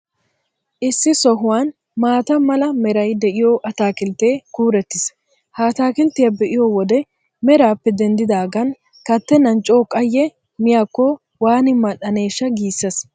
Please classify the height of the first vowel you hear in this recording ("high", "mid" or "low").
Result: high